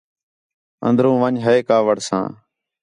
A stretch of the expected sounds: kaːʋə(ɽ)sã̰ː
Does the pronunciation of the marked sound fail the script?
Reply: no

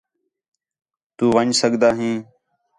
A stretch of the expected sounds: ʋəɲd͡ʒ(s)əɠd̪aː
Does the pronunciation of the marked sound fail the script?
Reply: no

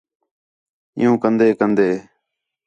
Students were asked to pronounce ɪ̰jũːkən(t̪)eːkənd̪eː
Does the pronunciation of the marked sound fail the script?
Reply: yes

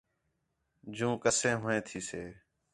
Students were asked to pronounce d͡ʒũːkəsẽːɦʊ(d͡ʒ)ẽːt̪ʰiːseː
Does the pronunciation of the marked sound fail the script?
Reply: yes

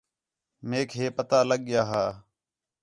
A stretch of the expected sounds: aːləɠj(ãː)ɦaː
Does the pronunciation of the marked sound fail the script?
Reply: yes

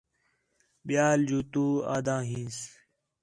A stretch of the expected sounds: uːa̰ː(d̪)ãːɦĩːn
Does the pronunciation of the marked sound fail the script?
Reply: no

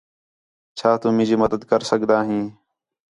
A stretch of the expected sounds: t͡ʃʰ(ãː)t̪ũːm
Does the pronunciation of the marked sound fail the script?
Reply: yes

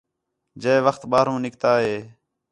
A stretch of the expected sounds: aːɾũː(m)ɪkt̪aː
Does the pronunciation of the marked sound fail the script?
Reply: yes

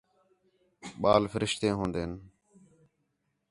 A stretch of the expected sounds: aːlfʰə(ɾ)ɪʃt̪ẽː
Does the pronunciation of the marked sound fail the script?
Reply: no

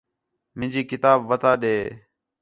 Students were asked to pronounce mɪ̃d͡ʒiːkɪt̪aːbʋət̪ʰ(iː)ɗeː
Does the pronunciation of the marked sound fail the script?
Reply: yes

